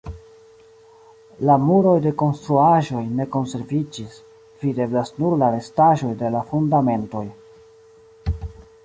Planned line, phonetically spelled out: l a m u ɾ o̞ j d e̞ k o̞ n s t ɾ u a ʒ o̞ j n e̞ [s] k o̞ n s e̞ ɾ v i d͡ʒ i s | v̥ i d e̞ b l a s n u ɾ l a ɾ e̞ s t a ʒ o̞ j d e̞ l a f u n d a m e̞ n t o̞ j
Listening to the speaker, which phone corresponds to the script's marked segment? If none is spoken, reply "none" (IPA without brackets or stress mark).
none